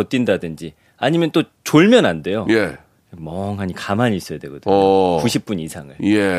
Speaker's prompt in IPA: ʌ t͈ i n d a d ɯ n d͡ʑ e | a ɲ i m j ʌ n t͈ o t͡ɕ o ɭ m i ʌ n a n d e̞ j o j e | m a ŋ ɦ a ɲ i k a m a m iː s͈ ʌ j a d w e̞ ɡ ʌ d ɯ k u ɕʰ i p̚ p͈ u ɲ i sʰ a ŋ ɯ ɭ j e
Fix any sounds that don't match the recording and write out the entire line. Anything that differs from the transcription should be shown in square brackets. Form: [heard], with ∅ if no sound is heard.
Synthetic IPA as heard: ʌ t͈ i n d a d ɯ n d͡ʑ [i] | a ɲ i m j ʌ n t͈ o t͡ɕ o ɭ m [j] ʌ n a n d e̞ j o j e | m [ʌ] ŋ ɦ a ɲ i k a m a [ɲ] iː s͈ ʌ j a d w e̞ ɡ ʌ d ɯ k u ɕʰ i p̚ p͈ u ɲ i sʰ a ŋ ɯ ɭ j e